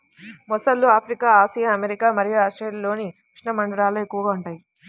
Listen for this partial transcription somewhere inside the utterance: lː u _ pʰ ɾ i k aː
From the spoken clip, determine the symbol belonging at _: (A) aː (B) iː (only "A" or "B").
A